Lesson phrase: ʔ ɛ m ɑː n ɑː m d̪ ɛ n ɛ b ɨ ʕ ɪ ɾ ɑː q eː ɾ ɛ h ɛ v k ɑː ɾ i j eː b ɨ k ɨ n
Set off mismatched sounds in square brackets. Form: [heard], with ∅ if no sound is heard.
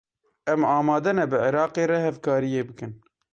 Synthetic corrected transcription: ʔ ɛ m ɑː [m] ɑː [∅] d̪ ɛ n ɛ b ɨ ʕ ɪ ɾ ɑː q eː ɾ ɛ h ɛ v k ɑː ɾ i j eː b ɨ k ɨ n